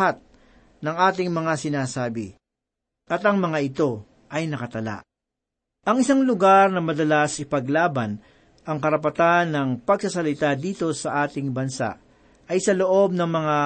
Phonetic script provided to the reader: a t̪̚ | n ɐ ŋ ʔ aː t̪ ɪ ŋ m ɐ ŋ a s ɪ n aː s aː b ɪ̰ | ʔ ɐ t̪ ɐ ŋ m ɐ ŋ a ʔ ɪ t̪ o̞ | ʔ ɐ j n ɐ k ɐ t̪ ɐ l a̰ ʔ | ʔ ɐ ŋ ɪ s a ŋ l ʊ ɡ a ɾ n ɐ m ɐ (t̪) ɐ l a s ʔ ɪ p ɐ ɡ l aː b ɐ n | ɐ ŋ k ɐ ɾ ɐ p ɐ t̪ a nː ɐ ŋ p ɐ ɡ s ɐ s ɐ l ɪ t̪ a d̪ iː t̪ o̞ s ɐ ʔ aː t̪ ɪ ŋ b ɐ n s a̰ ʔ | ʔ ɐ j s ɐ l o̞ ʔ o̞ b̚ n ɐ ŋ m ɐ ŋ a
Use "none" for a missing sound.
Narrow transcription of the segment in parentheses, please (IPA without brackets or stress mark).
d̪